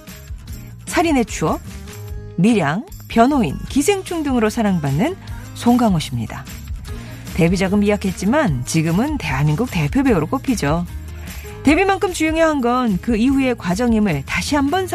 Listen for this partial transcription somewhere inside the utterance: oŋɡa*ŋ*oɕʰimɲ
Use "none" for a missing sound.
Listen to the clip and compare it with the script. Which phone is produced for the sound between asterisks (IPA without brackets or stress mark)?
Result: ŋ